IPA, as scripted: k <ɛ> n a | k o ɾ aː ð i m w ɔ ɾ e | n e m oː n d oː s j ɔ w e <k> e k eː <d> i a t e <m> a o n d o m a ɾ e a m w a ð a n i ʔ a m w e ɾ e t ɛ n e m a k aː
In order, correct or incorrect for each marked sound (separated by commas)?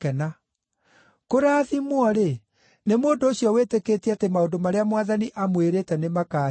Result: correct, incorrect, incorrect, correct